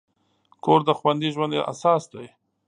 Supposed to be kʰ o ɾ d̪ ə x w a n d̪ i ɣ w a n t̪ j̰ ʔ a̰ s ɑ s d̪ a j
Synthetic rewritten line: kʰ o ɾ d̪ ə x w a n d̪ i ʒ w a n d̪ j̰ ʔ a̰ s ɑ s d̪ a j